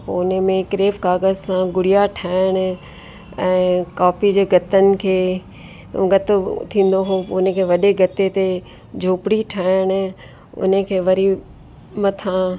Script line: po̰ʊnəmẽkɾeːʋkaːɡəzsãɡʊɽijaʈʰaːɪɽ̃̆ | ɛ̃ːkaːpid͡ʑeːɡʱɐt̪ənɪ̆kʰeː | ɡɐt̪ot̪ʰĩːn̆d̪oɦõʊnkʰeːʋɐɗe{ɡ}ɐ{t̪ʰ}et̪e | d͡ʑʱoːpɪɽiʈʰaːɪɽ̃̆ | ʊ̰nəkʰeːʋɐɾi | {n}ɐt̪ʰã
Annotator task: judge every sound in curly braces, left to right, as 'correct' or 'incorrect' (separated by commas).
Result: correct, incorrect, incorrect